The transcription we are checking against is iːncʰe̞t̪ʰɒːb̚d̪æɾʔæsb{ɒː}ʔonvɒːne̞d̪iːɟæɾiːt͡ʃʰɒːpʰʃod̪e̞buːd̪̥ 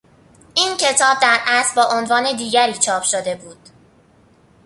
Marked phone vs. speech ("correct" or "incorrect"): correct